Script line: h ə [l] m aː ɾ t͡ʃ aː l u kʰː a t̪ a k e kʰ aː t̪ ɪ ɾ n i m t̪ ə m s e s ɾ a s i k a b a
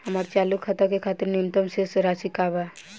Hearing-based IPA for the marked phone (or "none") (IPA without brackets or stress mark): none